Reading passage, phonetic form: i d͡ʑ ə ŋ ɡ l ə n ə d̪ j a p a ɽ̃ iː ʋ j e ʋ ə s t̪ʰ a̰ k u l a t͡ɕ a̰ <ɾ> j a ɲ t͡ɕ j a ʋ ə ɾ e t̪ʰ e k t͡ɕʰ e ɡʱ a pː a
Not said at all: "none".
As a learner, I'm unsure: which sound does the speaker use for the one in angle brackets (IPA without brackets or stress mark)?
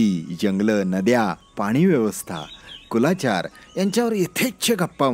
ɾ